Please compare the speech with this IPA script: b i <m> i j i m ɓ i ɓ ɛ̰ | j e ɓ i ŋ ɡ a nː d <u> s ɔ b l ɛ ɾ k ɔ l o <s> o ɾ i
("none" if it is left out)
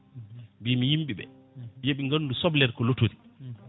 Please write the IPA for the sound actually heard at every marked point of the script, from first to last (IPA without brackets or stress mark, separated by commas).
m, u, t